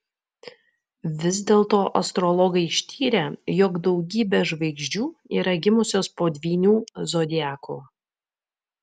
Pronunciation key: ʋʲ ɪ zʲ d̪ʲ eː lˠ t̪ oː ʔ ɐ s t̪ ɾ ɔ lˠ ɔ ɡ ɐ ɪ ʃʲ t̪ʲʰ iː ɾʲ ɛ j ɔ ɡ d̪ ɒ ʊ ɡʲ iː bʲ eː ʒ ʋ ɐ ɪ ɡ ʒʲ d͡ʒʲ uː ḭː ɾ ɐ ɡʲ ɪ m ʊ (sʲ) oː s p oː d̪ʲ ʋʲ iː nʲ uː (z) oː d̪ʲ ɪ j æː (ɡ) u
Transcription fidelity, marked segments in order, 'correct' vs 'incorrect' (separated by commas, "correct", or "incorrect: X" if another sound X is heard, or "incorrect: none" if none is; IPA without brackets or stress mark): correct, correct, incorrect: k